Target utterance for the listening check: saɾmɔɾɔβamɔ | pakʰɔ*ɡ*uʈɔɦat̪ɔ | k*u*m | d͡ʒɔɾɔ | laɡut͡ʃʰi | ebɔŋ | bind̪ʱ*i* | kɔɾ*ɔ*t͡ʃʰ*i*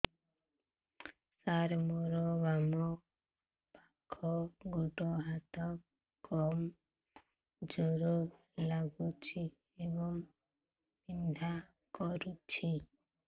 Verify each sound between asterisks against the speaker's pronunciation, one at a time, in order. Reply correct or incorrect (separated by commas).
correct, incorrect, incorrect, incorrect, correct